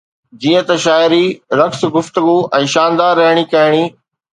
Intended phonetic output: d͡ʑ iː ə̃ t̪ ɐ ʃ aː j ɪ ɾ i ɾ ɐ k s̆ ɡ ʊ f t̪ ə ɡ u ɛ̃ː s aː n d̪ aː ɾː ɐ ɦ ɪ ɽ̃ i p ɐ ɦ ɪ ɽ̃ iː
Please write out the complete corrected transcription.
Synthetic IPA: d͡ʑ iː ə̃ t̪ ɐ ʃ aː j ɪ ɾ i ɾ ɐ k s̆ ɡ ʊ f t̪ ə ɡ u ɛ̃ː ʃ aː n d̪ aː ɾː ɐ ɦ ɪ ɽ̃ i k ɐ ɦ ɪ ɽ̃ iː